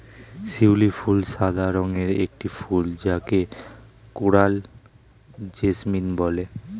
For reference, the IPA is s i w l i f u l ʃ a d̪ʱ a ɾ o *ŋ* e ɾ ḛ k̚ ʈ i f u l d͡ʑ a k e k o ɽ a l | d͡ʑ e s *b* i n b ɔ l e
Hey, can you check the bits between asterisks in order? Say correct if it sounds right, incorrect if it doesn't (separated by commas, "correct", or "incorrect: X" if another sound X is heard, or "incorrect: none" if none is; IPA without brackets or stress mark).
correct, incorrect: m